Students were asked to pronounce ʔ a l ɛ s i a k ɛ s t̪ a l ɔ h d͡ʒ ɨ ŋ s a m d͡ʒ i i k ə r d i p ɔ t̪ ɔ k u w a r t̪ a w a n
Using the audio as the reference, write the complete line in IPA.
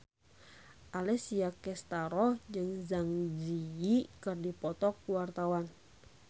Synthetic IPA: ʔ a l ɛ s i a k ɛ s t̪ a ɾ ɔ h d͡ʒ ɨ ŋ z a ŋ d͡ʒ i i k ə r d i p ɔ t̪ ɔ k u w a r t̪ a w a n